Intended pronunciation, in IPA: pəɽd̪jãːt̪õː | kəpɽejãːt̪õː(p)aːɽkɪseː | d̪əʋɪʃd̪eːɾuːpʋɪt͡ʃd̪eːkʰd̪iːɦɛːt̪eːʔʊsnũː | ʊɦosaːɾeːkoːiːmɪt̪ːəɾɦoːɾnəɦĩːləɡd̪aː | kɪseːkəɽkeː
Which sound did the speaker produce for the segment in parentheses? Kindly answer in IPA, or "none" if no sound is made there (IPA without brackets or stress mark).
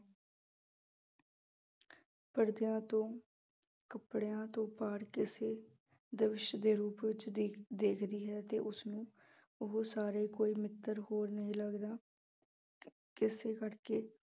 p